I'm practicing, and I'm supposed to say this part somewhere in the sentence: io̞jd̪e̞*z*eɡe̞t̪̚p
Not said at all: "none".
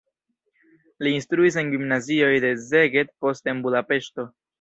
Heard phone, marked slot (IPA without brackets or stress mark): z